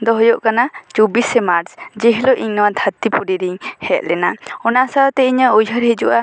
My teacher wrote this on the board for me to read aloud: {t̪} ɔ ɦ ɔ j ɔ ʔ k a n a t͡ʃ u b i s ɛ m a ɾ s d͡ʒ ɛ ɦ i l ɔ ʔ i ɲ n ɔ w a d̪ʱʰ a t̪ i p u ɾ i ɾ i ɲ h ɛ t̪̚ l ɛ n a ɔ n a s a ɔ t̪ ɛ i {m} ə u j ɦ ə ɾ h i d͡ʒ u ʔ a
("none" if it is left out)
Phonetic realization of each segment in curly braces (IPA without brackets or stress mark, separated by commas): d̪, ɲ